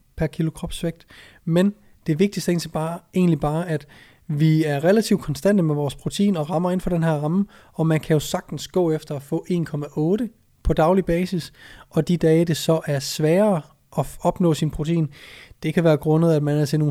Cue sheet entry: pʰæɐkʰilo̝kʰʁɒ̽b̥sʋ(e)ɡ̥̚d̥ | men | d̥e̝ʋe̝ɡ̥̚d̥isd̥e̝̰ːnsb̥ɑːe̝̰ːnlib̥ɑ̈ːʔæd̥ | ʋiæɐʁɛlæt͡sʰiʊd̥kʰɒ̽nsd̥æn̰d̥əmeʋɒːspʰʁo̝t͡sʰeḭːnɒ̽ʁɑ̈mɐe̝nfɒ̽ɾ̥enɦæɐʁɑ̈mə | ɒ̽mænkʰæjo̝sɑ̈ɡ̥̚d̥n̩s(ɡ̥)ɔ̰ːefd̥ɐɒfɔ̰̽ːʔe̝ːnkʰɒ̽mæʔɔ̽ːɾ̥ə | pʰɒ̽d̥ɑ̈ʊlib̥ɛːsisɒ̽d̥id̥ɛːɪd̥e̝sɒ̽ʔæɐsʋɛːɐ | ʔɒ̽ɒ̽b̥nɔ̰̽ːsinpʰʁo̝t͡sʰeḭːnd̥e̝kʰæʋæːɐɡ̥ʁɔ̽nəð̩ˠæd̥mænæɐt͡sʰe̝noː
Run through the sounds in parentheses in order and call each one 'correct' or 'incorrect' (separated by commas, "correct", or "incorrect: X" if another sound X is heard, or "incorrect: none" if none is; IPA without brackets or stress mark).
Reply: correct, correct